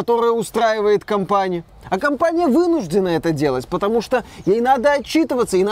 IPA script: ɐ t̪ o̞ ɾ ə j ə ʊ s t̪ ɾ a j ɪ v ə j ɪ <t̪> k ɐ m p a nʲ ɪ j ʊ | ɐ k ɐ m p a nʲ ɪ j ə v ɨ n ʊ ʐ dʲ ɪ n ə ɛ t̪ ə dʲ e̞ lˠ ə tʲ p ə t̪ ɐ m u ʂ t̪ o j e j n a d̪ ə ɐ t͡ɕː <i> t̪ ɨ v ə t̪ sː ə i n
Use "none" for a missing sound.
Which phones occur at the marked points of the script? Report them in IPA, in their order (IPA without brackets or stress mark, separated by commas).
t̪, i